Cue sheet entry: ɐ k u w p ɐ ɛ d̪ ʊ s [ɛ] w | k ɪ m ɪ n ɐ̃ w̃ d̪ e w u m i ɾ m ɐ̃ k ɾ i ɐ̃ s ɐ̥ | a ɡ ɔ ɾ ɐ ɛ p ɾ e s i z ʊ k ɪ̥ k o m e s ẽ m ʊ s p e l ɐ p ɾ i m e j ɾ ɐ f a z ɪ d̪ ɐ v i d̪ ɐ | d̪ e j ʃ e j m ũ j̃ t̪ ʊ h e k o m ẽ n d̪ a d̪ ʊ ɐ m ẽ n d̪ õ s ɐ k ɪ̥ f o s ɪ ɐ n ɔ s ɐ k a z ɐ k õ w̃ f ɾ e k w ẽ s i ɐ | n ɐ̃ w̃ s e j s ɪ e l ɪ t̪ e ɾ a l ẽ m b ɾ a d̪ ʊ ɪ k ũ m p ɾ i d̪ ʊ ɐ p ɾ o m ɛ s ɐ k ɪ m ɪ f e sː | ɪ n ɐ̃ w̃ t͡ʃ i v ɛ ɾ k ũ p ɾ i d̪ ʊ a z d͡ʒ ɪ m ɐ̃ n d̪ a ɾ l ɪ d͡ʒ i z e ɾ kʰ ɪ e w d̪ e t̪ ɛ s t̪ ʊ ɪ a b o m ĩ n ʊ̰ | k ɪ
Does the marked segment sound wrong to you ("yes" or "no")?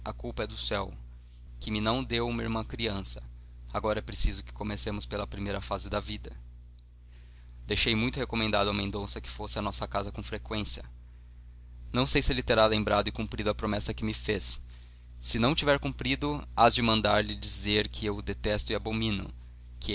no